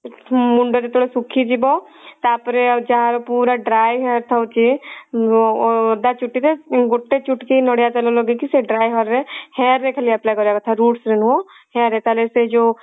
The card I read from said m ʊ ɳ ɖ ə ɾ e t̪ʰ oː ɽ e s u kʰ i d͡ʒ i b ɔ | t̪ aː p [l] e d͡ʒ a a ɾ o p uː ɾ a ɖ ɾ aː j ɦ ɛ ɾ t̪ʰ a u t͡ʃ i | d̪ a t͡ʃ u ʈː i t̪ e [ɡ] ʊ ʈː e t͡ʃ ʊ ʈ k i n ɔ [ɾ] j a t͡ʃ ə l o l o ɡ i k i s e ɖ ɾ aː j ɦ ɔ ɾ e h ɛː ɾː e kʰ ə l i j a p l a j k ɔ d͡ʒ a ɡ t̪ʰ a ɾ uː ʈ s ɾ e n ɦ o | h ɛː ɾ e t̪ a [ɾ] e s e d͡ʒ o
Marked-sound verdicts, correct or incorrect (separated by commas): incorrect, correct, incorrect, incorrect